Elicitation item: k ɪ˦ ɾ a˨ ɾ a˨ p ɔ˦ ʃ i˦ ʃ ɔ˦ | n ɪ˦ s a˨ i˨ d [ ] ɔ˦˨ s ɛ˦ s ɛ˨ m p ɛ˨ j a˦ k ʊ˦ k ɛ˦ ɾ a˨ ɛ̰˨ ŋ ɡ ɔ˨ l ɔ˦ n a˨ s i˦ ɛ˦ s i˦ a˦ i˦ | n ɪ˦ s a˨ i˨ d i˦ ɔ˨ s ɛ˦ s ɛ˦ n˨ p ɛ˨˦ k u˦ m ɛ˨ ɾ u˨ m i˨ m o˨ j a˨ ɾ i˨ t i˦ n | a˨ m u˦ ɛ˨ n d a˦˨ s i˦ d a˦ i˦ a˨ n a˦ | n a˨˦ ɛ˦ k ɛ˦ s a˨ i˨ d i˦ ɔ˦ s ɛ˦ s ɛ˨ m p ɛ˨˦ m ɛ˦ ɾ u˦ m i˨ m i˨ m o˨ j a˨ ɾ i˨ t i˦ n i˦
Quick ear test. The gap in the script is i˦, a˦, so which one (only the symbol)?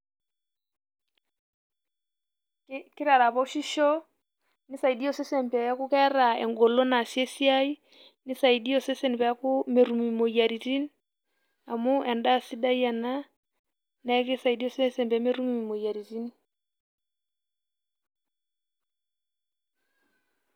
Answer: i˦